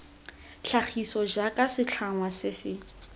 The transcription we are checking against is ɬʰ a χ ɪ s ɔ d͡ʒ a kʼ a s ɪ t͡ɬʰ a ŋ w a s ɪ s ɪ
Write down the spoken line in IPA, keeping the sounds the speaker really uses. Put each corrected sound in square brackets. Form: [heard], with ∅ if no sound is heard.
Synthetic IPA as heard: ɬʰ a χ [i] s ɔ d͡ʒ a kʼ a s ɪ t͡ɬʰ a ŋ w a s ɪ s ɪ